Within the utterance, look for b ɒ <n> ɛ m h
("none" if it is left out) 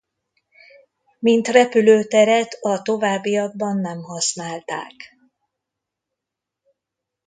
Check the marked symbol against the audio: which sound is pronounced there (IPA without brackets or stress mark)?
nː